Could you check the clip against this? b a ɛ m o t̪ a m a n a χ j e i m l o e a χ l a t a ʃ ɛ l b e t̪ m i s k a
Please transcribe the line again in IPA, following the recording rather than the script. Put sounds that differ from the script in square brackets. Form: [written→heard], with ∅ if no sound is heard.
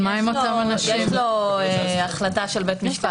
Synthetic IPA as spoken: [b→m] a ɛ m o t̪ a m a n a [χ→ʃ] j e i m l o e a χ l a t a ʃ [ɛ→e] l b e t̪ m i [s→ʃ] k a